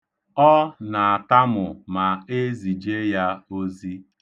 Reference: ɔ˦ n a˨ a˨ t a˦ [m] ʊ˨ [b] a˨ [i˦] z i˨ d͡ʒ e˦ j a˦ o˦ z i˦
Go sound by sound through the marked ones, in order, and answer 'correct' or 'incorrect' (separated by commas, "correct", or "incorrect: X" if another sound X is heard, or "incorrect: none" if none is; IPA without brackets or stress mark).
correct, incorrect: m, incorrect: e˦